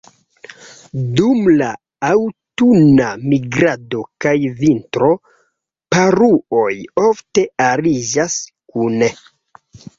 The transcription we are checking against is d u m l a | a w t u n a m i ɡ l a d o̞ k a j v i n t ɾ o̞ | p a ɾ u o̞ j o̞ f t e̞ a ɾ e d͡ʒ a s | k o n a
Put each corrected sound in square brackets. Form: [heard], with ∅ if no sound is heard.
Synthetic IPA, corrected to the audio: d u m l a | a w t u n a m i ɡ [ɾ] a d o̞ k a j v i n t ɾ o̞ | p a ɾ u o̞ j o̞ f t e̞ a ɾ [i] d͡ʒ a s | k [u] n [e]

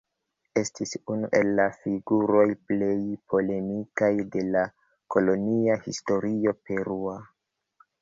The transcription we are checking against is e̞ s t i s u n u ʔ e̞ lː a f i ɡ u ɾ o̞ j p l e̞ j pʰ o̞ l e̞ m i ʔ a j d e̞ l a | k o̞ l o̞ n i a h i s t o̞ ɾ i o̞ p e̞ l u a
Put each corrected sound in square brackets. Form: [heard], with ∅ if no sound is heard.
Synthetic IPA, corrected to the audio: e̞ s t i s u n u ʔ e̞ lː a f i ɡ u ɾ o̞ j p l e̞ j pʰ o̞ l e̞ m i [k] a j d e̞ l a | k o̞ l o̞ n i a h i s t o̞ ɾ i o̞ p e̞ [ɾ] u a

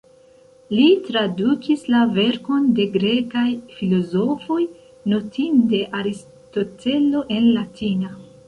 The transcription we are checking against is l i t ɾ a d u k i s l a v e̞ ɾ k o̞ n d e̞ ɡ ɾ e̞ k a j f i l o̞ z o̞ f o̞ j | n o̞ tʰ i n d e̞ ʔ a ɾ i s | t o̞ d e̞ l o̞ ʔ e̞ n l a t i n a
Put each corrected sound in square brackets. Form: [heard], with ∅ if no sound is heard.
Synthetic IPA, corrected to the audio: l i t ɾ a d u k i s l a v e̞ ɾ k o̞ n d e̞ ɡ ɾ e̞ k a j f i l o̞ z o̞ f o̞ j | n o̞ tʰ i n d e̞ ʔ a ɾ i s | t o̞ [t] e̞ l o̞ ʔ e̞ n l a t i n a

